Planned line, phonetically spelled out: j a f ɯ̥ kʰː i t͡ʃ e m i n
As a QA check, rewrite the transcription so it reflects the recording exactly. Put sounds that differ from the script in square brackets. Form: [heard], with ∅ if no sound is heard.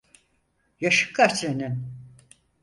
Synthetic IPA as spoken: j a [ʃ] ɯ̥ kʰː [a] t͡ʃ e [n] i n